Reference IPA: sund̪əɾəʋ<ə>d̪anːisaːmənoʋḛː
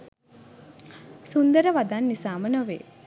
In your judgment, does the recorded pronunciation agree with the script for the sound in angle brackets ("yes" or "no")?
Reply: no